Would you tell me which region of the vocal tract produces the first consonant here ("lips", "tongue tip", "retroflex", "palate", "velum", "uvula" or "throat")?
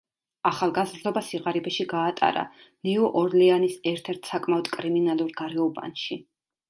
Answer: uvula